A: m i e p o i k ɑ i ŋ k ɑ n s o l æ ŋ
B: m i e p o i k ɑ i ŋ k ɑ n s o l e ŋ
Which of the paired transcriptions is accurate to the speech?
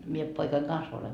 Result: B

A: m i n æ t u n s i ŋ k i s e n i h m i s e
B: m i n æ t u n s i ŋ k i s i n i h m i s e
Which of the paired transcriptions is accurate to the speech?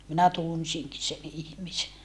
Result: A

